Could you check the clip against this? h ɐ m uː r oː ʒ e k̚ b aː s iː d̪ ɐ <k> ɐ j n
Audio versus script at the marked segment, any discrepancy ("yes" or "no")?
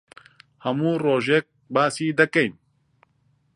no